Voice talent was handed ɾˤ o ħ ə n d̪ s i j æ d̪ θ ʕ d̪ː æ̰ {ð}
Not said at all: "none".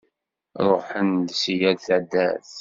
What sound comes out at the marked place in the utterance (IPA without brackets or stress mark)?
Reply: θ